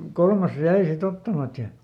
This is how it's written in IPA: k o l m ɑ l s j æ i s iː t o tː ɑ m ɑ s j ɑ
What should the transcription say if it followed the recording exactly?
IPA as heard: k o l m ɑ s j æ i s i t o tː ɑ m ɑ t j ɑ

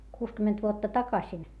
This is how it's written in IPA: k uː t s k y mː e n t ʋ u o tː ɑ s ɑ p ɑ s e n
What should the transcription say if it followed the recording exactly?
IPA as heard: k uː s k y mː e n t ʋ u o tː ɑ t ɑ k ɑ s i n

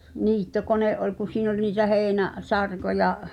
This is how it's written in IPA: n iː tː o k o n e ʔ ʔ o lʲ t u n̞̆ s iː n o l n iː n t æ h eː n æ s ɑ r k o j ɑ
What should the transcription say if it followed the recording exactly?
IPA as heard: n iː tː o k o n e ʔ ʔ o lʲ k u n̞̆ s iː n o l n iː t æ h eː n æ s ɑ r k o j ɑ

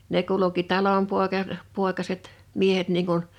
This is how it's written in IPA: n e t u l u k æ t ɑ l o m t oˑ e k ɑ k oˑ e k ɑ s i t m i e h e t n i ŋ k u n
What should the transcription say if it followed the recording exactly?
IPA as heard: n e k u l u k i t ɑ l o m p oˑ e k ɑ p oˑ e k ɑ s e t m i e h e t n iː ŋ k u n

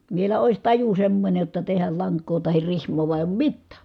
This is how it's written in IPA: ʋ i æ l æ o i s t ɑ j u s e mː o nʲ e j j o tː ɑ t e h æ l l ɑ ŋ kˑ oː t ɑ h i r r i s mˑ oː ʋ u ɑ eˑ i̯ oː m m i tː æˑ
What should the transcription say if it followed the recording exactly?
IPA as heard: ʋ i e l æ o i s t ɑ j u s e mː o nʲ e j j o tː ɑ t e h æ l l ɑ ŋ kˑ oː t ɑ h i r r i h mˑ oː ʋ u ɑ eˑ i̯ oː m m i tː æˑ

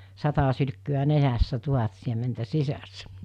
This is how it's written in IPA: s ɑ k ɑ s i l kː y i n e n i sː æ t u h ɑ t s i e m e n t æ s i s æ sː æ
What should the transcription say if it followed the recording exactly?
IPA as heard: s ɑ t ɑ s y l kː y æ n e n æ sː æ t u h ɑ t s i e m e n t æ s i s æ sː æ

